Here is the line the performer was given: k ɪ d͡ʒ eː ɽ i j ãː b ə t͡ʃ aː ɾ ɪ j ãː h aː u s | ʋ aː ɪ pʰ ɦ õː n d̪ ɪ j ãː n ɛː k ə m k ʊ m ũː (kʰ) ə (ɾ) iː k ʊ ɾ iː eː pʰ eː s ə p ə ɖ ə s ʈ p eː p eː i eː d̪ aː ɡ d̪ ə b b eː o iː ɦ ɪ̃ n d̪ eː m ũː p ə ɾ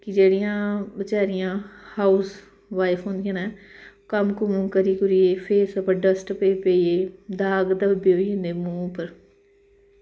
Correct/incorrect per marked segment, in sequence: incorrect: k, correct

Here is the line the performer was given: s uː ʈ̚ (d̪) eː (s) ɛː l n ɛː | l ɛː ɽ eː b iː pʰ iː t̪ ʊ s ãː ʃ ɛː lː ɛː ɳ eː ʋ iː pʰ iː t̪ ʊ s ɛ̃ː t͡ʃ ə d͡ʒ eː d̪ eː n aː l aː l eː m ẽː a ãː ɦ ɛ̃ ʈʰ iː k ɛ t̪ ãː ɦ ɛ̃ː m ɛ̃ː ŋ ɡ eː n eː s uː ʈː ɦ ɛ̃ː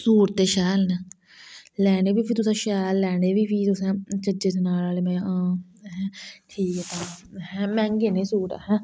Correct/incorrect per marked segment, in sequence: incorrect: t̪, incorrect: ʃ

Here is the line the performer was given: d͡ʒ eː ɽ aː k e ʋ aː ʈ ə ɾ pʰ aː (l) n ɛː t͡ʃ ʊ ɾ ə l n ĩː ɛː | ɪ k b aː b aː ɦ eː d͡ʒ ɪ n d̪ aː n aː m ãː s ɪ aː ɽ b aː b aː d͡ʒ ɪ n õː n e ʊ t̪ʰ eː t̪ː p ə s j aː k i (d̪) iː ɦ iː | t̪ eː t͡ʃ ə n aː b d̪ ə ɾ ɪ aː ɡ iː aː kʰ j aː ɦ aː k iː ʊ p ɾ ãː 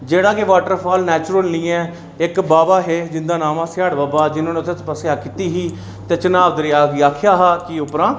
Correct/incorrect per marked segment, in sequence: correct, incorrect: t̪

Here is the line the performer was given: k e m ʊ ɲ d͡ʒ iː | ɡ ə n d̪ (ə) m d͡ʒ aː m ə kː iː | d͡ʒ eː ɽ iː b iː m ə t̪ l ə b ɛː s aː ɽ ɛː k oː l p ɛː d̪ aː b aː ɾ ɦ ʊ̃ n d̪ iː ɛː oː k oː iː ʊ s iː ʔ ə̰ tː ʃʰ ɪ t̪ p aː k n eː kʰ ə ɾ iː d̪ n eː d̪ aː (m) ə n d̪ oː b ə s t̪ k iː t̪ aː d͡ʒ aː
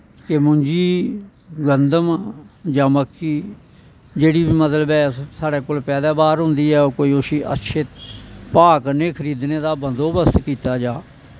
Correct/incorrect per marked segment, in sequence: correct, incorrect: b

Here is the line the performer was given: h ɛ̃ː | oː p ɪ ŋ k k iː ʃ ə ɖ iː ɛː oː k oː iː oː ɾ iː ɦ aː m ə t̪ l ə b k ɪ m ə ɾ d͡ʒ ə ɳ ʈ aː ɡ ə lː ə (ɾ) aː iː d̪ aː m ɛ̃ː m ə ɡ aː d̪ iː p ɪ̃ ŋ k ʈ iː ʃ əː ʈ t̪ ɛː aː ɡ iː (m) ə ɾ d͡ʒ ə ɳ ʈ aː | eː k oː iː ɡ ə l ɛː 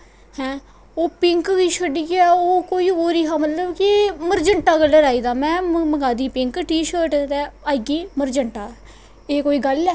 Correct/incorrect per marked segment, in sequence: correct, correct

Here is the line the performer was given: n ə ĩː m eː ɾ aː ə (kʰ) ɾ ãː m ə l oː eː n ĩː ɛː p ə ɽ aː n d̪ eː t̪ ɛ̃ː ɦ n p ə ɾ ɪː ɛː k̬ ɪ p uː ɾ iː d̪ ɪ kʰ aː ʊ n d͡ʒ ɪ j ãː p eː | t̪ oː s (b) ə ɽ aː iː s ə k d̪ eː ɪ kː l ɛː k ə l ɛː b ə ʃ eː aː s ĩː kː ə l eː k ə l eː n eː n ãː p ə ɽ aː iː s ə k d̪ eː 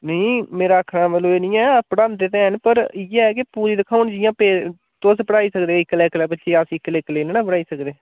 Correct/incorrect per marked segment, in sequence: correct, incorrect: p

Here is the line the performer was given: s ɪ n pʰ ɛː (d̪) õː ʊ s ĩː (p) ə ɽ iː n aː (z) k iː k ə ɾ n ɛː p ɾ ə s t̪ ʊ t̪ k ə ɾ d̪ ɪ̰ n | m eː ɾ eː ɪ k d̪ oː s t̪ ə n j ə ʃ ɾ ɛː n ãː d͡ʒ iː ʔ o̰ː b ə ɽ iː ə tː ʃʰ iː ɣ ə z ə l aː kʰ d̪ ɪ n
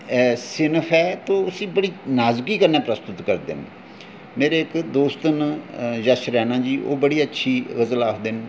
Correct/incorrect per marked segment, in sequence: incorrect: t̪, incorrect: b, correct

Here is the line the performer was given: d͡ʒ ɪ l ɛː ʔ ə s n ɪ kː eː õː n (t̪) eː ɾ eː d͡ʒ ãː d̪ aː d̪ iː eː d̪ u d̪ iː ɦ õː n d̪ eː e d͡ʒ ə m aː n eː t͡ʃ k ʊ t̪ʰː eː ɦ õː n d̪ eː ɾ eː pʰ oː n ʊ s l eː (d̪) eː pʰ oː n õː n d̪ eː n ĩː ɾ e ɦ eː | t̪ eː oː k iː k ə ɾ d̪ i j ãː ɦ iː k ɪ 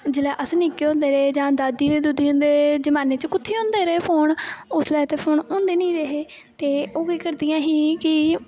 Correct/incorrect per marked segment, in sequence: incorrect: d̪, incorrect: t̪

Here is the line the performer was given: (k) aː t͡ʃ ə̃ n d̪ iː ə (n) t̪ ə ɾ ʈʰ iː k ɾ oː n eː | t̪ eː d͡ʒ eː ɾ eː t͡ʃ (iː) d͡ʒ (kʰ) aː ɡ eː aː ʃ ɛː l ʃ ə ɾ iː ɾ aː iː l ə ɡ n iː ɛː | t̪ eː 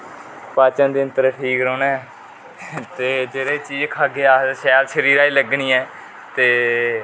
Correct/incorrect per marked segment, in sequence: incorrect: p, correct, correct, correct

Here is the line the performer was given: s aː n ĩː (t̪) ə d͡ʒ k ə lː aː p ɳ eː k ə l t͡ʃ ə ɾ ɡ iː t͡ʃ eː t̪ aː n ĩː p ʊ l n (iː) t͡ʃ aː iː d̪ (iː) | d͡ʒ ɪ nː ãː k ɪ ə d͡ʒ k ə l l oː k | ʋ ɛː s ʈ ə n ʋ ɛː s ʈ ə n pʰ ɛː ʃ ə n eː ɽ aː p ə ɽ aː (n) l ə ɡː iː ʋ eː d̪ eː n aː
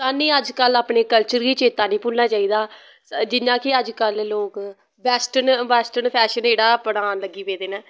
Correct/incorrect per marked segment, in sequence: incorrect: none, incorrect: aː, incorrect: aː, correct

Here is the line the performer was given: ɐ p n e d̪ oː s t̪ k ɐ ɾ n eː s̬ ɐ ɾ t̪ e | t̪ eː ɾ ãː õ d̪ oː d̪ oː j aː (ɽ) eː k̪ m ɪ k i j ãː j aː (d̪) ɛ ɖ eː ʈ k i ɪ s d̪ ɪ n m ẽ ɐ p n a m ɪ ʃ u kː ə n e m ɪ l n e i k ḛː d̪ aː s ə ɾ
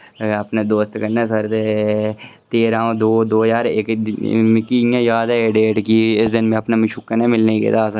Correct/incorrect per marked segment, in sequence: incorrect: ɾ, correct

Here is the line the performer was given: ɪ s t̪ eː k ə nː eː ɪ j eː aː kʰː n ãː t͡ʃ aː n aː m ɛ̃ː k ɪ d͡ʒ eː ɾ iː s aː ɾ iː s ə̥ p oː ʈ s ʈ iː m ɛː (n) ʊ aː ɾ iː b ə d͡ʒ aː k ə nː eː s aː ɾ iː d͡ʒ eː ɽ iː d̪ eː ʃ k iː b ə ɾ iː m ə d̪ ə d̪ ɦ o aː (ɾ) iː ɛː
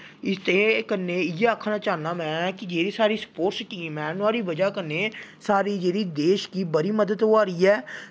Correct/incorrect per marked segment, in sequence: correct, correct

